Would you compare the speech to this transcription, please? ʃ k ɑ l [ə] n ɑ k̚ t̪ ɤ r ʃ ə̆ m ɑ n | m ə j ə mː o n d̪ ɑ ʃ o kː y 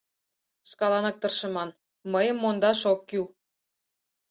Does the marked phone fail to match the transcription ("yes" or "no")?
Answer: yes